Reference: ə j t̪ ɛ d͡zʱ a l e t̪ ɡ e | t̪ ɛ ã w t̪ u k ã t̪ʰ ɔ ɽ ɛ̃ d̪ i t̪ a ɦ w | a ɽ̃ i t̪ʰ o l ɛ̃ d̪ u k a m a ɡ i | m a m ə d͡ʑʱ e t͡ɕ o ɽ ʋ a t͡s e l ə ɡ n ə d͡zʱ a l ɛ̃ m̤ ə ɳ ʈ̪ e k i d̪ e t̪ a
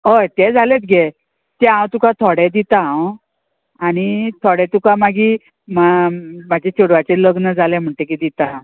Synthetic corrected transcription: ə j t̪ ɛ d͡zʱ a l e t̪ ɡ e | t̪ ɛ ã w t̪ u k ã t̪ʰ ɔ ɽ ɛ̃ d̪ i t̪ a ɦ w | a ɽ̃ i t̪ʰ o ɽ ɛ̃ t̪ u k a m a ɡ i | m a m a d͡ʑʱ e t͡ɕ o ɽ ʋ a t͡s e l ə ɡ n ə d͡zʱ a l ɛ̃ m̤ ə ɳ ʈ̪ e k i d̪ i t̪ a